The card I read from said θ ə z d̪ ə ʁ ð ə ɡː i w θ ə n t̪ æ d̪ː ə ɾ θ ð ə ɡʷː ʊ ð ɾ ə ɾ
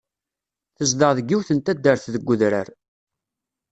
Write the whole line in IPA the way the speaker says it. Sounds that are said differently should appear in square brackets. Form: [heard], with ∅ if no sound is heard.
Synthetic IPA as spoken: θ ə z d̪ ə ʁ ð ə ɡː i w θ ə n t̪ æ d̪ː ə ɾ θ ð ə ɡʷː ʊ ð ɾ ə ɾ